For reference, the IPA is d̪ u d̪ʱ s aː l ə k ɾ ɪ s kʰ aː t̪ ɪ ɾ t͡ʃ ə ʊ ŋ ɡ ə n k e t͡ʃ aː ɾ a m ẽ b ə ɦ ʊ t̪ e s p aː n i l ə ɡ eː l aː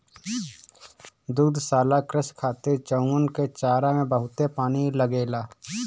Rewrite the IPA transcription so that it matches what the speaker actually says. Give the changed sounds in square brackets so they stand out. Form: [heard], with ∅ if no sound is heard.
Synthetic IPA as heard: d̪ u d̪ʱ s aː l [a] k ɾ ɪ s kʰ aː t̪ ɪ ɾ t͡ʃ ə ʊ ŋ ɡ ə n k e t͡ʃ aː ɾ a m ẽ b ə ɦ ʊ t̪ e [∅] p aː n i l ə ɡ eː l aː